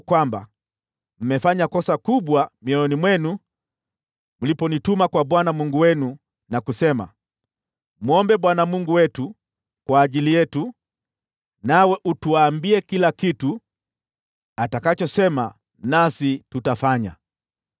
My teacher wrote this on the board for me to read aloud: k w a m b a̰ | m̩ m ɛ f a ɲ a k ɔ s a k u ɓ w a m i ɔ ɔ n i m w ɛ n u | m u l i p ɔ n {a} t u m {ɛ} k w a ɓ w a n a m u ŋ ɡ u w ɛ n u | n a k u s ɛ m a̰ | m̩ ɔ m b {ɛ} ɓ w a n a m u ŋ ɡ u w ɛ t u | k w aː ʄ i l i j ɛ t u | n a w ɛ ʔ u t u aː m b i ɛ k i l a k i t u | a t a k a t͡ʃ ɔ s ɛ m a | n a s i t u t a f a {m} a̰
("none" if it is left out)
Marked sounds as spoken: i, a, ɛ, ɲ

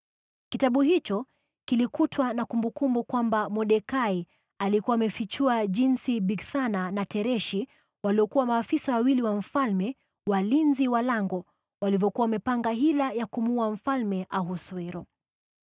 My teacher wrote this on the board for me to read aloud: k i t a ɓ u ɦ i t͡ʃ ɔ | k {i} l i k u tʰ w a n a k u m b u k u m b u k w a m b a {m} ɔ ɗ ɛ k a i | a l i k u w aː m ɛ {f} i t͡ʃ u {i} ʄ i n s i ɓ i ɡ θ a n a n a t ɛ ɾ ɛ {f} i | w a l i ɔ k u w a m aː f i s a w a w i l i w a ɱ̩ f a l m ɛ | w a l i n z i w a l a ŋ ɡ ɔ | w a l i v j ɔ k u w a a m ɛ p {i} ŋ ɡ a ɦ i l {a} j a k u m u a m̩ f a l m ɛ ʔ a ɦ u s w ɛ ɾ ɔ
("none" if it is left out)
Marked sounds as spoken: i, m, f, a, ʃ, a, a

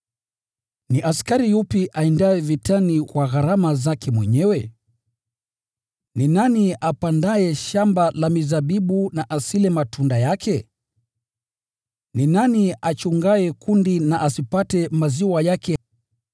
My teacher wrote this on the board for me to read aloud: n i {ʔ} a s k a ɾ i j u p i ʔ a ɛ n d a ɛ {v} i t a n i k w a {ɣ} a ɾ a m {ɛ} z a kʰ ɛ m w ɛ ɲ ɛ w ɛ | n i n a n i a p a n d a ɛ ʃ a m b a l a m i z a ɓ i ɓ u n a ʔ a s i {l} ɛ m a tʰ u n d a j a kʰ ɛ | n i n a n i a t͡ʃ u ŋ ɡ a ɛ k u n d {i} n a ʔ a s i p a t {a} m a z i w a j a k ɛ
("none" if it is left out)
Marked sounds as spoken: ʔ, v, ɣ, a, l, i, ɛ

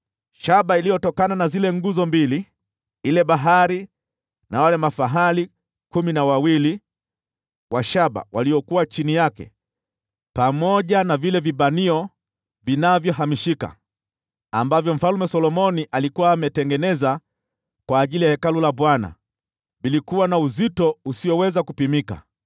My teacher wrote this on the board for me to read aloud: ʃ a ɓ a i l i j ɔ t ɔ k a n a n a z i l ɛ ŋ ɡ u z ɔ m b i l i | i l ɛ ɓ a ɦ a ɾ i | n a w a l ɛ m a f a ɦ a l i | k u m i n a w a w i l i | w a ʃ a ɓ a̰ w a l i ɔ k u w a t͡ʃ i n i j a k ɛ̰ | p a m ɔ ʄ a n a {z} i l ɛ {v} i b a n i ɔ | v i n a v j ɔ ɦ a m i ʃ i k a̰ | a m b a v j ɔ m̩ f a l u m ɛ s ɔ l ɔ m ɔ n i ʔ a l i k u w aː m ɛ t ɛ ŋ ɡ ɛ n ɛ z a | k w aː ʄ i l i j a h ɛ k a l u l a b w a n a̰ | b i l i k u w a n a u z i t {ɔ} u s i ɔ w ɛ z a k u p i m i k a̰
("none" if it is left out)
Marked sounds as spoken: v, v, ɔ

